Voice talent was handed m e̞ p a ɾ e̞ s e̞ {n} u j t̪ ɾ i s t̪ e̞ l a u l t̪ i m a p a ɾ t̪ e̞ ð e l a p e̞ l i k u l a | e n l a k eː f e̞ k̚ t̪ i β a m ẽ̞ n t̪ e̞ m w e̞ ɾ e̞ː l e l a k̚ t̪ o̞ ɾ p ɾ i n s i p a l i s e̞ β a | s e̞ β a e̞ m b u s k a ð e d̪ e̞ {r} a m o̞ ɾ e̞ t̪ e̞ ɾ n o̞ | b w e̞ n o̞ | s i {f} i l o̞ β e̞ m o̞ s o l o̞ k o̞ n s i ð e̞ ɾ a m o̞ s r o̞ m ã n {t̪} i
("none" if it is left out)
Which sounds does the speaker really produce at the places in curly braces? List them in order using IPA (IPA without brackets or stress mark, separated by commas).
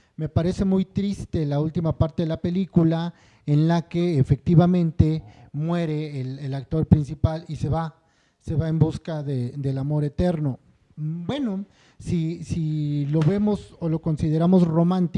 m, l, s, t̪